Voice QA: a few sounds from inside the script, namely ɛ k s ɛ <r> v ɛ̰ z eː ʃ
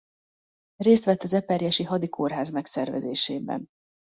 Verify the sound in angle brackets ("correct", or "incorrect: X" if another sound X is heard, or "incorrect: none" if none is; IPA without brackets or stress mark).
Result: correct